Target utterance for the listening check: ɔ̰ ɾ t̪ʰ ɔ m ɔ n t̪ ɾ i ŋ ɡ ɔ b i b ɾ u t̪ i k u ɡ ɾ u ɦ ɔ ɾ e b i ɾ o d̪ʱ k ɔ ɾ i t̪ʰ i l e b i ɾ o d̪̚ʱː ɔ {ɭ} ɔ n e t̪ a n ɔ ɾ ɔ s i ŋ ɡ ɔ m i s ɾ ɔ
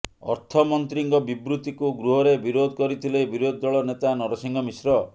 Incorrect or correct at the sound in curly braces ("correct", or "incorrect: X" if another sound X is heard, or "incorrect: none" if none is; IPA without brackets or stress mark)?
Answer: correct